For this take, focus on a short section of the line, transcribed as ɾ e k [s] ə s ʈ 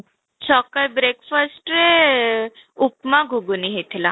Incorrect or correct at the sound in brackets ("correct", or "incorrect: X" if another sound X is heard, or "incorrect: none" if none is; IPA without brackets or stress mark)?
incorrect: f